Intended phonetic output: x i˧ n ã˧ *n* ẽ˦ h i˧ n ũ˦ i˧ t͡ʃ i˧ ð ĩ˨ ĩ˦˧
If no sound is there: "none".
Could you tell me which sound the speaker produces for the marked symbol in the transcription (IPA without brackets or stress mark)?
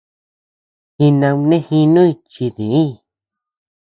n